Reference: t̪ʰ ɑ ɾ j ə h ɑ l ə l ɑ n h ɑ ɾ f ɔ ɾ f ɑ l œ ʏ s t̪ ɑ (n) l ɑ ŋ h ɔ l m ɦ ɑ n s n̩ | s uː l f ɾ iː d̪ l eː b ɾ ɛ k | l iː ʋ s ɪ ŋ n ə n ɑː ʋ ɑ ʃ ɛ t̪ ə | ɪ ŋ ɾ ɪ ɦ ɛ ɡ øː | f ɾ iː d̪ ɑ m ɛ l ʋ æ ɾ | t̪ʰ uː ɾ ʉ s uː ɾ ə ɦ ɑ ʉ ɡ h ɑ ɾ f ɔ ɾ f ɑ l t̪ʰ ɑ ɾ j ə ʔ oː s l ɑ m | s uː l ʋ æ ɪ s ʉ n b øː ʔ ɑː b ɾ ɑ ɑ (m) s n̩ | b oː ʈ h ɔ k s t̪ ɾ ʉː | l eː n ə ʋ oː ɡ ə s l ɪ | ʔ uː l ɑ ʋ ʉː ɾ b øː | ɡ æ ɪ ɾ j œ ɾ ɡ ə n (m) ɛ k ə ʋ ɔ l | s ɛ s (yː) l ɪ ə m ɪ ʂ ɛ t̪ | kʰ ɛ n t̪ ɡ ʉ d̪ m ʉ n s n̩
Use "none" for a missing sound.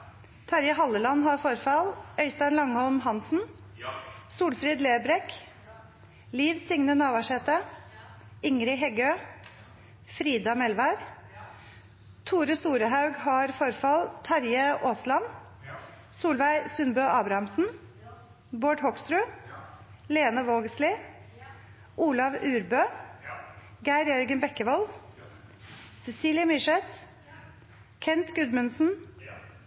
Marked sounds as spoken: n, m, b, iː

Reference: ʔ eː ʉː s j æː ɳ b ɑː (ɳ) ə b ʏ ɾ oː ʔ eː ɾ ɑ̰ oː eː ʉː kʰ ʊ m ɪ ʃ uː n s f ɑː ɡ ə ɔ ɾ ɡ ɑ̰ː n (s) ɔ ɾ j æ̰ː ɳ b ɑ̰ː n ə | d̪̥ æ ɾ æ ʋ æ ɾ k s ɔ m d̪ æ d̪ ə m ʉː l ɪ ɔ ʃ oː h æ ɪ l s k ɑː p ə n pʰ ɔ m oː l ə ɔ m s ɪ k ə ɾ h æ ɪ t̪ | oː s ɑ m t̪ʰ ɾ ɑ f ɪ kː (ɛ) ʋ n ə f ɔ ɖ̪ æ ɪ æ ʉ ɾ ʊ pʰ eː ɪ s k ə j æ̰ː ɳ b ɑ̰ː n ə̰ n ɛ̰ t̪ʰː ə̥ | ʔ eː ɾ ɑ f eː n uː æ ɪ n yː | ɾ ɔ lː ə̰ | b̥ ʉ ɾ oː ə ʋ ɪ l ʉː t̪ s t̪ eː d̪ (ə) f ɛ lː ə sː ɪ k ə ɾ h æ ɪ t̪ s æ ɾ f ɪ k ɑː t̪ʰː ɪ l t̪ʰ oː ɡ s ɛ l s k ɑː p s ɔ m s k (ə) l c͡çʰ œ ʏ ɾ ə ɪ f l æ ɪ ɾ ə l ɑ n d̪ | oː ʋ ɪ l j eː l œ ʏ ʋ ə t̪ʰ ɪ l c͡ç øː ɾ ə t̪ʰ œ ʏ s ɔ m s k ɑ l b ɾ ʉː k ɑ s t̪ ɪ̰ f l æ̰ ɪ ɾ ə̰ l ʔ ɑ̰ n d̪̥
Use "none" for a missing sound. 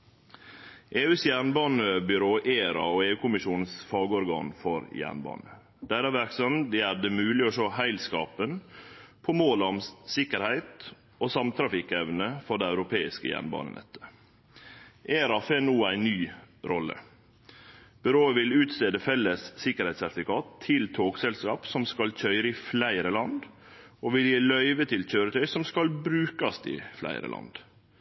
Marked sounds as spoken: n, f, ɛ, ə, ɑ

